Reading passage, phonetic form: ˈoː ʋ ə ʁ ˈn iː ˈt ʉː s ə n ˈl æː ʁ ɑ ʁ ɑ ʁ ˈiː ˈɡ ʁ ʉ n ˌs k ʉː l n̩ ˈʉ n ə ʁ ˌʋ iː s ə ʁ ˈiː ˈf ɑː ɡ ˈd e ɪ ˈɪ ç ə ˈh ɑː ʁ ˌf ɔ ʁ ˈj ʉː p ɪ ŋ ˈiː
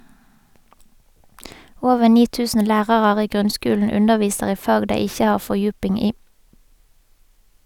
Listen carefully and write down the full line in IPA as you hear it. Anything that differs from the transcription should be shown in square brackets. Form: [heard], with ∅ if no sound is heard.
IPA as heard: ˈoː ʋ ə ʁ ˈn iː ˈt ʉː s ə n ˈl æː ʁ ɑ ʁ ɑ ʁ ˈiː ˈɡ ʁ ʉ n ˌs k ʉː l n̩ ˈʉ n ə ʁ ˌʋ iː s ə ʁ ˈiː ˈf ɑː ɡ ˈd e ɪ ˈɪ ç ə ˈh ɑː ʁ ˌf ɔ ʁ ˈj ʉː p ɪ ŋ ˈiː